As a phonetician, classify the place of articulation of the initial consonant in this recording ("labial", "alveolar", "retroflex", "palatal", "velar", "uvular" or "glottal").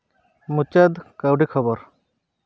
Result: labial